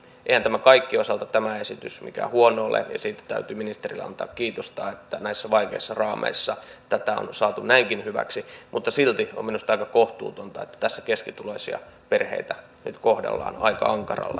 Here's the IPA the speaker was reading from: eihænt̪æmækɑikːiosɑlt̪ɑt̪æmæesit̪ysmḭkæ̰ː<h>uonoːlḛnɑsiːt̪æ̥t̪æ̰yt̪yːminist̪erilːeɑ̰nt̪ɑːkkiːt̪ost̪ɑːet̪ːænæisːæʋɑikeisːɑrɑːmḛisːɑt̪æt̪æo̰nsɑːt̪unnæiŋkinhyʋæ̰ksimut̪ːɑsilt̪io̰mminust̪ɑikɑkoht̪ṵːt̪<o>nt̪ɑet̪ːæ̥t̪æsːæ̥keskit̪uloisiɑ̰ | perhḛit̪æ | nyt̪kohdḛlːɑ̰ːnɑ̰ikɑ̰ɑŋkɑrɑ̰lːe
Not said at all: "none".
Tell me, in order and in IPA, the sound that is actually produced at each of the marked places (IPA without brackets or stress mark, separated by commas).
h, o